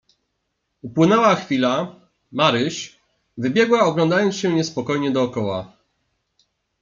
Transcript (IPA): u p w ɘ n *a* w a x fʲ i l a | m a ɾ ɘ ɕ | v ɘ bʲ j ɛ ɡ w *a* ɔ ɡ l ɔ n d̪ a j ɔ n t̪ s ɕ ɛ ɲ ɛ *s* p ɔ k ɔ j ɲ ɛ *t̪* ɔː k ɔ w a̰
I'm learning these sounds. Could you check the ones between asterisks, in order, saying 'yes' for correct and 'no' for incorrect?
no, yes, yes, no

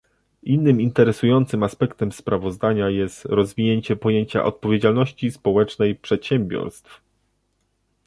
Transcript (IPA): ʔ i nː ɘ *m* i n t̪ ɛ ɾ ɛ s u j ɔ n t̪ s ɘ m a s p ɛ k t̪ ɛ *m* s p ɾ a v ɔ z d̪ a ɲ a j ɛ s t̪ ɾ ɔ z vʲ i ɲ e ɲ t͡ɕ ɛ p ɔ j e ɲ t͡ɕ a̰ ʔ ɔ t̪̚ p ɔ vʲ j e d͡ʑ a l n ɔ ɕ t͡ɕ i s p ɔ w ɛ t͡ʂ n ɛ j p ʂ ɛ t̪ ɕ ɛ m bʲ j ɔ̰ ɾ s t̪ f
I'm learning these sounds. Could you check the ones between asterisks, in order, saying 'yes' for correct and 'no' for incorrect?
yes, yes

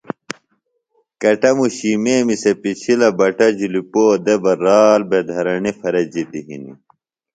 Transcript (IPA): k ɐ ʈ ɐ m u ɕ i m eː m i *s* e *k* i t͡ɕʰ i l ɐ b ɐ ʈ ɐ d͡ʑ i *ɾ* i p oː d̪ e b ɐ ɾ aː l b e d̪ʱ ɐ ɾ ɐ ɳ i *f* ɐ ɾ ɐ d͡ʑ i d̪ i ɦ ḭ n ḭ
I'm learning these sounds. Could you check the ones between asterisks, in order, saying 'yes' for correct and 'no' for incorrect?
yes, no, no, yes

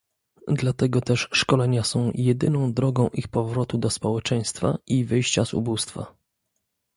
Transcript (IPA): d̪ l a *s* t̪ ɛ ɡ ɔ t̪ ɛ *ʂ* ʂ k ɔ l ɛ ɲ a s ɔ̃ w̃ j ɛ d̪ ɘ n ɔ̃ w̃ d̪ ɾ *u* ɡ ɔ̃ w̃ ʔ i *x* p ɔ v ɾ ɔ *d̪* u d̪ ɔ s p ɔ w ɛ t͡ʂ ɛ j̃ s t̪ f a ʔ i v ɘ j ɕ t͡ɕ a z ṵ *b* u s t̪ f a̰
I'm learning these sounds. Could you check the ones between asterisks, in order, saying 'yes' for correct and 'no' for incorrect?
no, yes, no, yes, no, yes

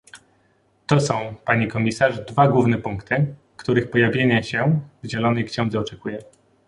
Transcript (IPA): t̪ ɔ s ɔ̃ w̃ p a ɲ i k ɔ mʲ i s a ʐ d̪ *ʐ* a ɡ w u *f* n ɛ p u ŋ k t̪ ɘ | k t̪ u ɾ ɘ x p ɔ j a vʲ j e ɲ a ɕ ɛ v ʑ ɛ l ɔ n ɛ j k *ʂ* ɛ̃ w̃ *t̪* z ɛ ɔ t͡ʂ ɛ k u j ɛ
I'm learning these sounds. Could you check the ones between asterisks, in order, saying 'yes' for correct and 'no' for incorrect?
no, no, no, no

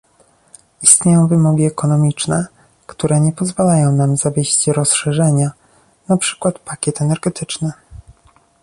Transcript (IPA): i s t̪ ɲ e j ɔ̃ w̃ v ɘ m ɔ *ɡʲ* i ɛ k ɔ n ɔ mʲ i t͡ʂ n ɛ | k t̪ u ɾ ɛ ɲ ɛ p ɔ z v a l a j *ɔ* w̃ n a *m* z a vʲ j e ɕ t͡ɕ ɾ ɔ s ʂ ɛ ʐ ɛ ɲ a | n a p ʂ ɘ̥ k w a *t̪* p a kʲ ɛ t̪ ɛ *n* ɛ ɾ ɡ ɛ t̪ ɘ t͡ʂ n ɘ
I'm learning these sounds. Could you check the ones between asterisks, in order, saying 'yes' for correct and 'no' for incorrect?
yes, no, yes, yes, yes

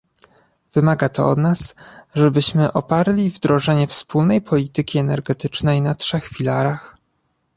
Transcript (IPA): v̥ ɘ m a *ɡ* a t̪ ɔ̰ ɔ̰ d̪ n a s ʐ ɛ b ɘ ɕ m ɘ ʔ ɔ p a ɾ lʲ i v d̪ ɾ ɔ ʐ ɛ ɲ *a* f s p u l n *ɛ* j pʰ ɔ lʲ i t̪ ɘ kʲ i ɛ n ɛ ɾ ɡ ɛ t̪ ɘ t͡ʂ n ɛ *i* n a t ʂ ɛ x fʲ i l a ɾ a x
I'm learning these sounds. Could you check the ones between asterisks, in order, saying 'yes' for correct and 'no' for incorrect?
yes, no, yes, no

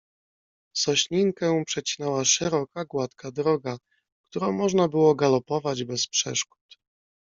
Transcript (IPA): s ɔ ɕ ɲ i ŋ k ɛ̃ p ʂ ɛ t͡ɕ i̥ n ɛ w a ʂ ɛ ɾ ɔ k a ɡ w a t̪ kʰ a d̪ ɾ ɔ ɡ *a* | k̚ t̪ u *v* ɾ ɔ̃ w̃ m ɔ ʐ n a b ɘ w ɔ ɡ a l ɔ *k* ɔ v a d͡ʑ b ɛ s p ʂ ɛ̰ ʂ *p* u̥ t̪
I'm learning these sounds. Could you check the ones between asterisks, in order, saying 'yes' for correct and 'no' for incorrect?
yes, no, no, no

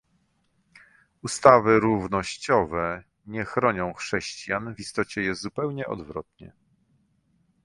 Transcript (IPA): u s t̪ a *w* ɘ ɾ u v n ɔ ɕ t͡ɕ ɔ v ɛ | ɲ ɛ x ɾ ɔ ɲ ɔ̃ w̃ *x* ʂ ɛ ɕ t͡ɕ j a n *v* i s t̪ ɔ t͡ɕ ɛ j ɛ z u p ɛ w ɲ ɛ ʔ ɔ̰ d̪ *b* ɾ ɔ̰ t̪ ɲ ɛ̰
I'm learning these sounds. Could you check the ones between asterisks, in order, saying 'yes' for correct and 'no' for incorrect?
no, yes, yes, no

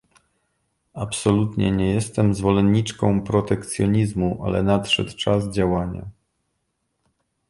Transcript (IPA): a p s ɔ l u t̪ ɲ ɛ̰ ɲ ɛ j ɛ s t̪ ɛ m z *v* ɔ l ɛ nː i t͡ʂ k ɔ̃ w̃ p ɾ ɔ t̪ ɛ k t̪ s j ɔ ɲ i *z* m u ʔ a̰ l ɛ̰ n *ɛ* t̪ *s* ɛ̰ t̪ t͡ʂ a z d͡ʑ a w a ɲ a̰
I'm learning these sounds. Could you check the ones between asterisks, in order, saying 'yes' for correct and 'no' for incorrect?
yes, yes, no, no

